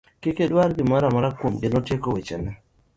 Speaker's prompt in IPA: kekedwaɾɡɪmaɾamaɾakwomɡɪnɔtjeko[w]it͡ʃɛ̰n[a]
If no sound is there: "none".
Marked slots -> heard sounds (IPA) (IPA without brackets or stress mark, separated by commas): w, ɛ